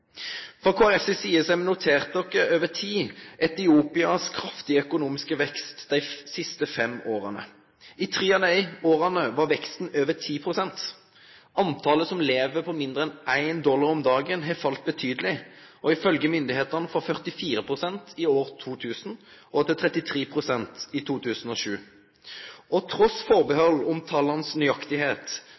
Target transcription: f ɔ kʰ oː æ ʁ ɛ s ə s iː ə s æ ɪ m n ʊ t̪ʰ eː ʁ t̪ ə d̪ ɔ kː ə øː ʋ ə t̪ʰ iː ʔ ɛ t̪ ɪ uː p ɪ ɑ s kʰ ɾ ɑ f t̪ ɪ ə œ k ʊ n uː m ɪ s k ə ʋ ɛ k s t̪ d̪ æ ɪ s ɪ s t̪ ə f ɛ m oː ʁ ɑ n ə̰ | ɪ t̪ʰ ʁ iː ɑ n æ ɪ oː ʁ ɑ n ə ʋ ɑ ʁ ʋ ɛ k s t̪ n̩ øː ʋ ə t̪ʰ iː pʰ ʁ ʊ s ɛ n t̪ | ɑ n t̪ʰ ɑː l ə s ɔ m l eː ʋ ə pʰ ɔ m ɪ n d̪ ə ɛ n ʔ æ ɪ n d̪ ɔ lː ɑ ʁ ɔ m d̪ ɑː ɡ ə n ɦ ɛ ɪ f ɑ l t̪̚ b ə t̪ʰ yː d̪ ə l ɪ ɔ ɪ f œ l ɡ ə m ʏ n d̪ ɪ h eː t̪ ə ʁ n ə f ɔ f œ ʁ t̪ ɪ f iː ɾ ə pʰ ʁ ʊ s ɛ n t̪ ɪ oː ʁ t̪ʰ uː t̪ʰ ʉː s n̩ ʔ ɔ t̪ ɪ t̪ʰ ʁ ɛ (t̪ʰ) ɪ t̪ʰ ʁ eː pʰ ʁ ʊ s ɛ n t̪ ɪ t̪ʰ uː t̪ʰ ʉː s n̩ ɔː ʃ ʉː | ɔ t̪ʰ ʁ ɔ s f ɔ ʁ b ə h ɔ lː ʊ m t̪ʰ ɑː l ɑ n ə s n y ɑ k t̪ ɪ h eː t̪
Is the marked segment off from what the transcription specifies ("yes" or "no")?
yes